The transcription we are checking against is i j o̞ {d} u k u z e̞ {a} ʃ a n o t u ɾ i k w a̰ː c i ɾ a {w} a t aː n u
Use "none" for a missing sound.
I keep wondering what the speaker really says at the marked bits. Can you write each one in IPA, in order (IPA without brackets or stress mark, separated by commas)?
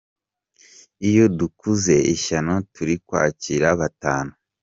d, i, β